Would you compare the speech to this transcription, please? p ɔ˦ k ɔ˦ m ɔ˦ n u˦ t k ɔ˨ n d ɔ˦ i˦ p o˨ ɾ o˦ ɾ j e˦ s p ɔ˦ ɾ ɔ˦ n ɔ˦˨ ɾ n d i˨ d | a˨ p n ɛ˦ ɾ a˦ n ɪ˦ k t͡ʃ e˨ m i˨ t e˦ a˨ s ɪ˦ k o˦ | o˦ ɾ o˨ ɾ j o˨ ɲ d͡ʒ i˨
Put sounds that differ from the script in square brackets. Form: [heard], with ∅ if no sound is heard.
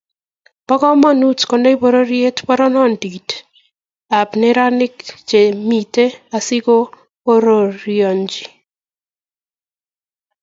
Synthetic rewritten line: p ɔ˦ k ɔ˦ m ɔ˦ n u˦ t k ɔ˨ n d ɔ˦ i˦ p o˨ ɾ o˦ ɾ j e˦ [t] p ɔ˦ ɾ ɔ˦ n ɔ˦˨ [∅] n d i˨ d | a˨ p n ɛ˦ ɾ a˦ n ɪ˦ k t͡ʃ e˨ m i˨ t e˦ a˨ s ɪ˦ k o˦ | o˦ ɾ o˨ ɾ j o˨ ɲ d͡ʒ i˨